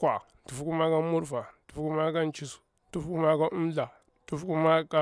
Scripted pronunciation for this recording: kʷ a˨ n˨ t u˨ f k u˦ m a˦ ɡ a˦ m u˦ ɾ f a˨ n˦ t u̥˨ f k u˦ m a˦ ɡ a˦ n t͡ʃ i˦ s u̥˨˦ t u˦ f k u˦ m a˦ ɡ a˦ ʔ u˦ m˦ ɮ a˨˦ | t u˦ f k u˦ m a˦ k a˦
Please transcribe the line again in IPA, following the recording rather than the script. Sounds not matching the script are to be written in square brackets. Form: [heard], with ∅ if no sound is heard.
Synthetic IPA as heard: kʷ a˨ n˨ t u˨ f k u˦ m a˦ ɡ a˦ m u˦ ɾ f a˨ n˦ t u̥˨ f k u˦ m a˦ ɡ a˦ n t͡ʃ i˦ s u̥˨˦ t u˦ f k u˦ m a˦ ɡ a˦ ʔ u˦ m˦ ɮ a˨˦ | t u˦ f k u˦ m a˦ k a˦